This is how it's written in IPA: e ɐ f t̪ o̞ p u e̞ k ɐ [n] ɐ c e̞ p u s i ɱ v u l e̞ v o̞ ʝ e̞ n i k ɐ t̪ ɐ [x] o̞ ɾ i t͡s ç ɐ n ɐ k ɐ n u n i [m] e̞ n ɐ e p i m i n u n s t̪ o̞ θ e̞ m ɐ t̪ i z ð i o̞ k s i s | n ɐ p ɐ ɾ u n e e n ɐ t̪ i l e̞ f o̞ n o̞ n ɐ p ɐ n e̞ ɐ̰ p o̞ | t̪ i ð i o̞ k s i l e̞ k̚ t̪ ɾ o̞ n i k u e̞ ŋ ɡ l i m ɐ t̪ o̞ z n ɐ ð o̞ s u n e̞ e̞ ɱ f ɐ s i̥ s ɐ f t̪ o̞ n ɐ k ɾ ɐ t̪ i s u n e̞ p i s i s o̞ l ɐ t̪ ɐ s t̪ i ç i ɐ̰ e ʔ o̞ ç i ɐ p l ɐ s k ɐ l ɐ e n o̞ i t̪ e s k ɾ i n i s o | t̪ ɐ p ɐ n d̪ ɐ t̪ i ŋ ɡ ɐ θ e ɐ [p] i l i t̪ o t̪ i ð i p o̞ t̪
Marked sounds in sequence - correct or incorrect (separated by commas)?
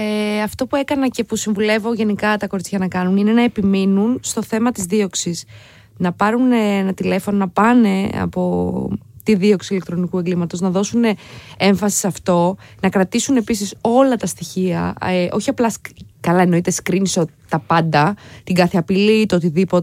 correct, incorrect, incorrect, correct